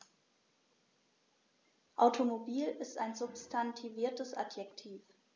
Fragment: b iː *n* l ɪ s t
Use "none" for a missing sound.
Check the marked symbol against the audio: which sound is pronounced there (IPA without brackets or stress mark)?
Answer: none